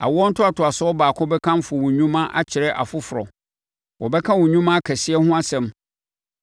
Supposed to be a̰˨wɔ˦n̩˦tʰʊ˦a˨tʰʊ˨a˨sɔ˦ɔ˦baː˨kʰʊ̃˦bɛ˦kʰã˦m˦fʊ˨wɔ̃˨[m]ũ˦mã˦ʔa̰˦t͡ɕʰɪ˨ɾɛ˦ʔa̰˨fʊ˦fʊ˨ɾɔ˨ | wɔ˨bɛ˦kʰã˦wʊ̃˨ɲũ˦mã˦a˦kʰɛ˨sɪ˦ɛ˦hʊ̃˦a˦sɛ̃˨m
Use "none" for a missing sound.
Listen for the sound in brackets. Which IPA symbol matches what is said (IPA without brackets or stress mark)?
ɲ